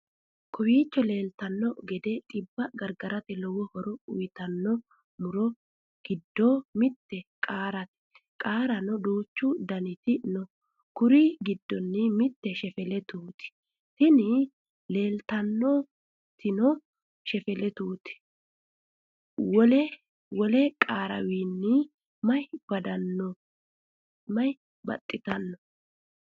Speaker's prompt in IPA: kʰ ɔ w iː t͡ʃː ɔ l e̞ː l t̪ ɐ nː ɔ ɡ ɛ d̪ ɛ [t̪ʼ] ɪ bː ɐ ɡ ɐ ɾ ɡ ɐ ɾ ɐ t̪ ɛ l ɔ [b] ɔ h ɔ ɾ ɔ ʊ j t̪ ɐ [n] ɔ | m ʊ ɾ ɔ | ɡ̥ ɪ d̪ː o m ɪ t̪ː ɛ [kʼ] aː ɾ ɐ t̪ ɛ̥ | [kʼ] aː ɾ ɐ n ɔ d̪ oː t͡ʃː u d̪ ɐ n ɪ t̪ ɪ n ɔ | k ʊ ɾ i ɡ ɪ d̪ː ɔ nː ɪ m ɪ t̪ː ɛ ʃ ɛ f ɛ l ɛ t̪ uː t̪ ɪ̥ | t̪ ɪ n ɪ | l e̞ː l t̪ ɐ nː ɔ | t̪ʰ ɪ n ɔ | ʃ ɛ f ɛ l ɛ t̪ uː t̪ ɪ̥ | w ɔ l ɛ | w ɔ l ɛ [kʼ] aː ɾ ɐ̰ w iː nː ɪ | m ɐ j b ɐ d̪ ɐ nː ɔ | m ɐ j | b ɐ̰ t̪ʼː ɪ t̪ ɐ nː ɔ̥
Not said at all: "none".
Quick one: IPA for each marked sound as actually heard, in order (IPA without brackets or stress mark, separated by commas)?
t̪ʼ, w, nː, kʼ, kʼ, kʼ